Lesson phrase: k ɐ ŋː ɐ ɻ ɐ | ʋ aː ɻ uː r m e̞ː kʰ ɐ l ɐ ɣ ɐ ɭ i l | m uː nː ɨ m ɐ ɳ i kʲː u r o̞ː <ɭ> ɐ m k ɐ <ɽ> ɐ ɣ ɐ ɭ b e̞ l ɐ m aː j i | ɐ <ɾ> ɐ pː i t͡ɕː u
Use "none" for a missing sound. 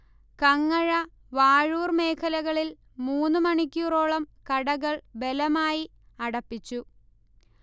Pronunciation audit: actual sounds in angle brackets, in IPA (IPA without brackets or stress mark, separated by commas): ɭ, ɽ, ɽ